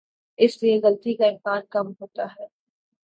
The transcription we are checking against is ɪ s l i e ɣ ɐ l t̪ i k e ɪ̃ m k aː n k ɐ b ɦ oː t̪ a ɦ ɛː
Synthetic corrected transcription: ɪ s l i e ɣ ɐ l t̪ i k a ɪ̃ m k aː n k ɐ m ɦ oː t̪ a ɦ ɛː